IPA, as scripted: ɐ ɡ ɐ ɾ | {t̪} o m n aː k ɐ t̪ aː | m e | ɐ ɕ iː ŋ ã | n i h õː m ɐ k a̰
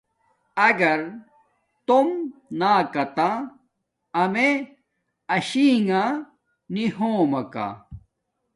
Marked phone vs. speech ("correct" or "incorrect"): correct